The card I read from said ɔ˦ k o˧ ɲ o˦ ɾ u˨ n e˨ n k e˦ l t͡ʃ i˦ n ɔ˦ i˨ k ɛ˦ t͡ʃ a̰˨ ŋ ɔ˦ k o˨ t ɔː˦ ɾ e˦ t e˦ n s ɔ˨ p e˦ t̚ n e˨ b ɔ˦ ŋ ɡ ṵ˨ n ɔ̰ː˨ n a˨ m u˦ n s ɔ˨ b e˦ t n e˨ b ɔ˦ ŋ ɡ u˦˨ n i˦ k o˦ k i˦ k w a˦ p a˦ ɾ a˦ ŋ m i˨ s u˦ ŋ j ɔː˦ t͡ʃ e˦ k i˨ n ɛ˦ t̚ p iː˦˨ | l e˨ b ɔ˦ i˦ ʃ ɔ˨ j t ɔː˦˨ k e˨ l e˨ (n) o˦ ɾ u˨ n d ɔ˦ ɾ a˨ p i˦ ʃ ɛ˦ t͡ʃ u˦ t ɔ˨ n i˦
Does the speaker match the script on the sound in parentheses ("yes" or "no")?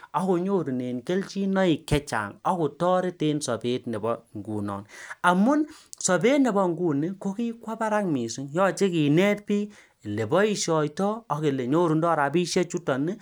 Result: no